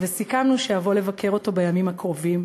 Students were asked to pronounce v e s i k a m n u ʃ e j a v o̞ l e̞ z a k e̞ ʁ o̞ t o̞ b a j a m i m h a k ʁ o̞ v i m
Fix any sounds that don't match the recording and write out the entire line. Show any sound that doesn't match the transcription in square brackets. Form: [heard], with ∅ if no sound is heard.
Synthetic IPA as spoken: v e s i k a m n u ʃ e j a v o̞ l e̞ [v] a k e̞ ʁ o̞ t o̞ b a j a m i m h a k ʁ o̞ v i m